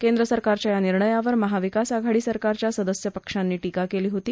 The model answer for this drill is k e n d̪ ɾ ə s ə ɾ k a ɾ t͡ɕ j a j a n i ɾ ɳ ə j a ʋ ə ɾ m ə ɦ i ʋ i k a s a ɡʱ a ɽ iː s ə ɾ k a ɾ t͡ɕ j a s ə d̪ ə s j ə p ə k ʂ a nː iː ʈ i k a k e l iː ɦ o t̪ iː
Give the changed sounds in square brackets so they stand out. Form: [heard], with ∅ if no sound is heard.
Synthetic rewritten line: k e n d̪ ɾ ə s ə ɾ k a ɾ t͡ɕ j a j a n i ɾ ɳ ə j a ʋ ə ɾ m ə ɦ [a] ʋ i k a s a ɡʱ a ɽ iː s ə ɾ k a ɾ t͡ɕ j a s ə d̪ ə s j ə p ə k ʂ a nː iː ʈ i k a k e l iː ɦ o t̪ iː